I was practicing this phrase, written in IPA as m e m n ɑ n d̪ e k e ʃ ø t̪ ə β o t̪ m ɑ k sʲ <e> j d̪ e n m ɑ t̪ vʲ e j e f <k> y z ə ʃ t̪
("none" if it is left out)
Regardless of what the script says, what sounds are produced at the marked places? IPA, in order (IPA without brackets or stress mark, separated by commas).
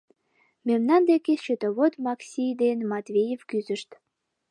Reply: i, k